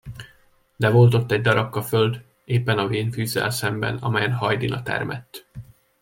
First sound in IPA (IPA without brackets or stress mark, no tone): d̪